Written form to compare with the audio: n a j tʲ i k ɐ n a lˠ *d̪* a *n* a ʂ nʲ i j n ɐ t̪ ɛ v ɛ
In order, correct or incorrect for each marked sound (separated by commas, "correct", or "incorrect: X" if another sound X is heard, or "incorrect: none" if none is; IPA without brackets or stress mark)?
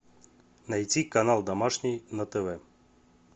correct, incorrect: m